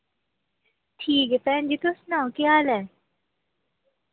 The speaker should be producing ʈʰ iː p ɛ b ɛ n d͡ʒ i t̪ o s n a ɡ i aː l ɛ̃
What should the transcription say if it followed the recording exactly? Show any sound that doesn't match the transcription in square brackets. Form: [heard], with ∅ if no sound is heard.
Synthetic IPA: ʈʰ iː [k] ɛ [p] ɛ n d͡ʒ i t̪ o s n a [k] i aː l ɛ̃